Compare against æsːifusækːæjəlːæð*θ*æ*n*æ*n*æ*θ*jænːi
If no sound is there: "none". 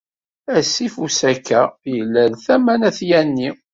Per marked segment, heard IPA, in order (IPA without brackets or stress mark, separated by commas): θ, m, n, θ